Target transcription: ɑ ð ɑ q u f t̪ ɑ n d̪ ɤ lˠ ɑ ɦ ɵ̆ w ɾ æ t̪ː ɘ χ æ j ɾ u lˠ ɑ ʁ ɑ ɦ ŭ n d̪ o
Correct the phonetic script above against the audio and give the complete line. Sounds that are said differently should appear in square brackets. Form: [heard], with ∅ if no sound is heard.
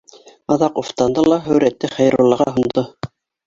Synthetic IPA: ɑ ð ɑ q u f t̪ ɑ n d̪ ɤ lˠ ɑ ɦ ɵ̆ w ɾ æ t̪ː ɘ χ æ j ɾ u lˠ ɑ ʁ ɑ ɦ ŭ n d̪ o